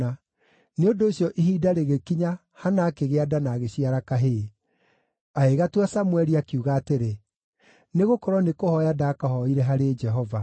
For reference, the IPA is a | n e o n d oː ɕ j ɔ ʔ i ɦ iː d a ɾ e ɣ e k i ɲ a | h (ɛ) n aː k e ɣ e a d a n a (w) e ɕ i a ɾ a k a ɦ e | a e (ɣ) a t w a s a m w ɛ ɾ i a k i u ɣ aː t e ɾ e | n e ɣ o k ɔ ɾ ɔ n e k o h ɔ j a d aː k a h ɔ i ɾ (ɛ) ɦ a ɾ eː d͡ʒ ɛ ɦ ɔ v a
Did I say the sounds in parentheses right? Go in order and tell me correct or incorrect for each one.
incorrect, incorrect, correct, correct

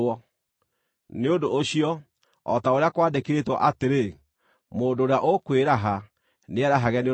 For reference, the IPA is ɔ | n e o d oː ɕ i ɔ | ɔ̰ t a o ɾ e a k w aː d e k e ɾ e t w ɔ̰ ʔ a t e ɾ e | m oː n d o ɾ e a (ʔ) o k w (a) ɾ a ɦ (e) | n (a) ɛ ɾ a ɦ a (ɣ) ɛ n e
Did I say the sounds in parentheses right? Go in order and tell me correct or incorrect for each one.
correct, incorrect, incorrect, incorrect, correct

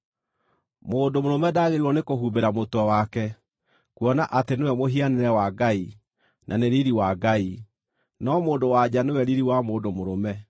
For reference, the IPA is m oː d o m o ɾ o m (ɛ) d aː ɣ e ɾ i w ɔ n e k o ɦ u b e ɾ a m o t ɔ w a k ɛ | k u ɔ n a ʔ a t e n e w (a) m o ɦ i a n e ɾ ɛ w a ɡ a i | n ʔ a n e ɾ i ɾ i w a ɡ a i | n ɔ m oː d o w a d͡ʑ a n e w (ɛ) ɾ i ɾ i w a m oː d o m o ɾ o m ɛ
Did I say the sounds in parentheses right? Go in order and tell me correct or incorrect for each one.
correct, incorrect, correct

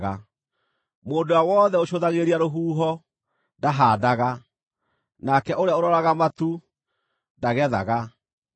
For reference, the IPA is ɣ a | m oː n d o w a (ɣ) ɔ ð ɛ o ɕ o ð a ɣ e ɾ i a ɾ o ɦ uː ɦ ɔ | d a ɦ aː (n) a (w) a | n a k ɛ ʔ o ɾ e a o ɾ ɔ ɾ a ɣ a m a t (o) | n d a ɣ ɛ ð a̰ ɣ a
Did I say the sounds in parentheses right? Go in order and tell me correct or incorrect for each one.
incorrect, incorrect, incorrect, incorrect

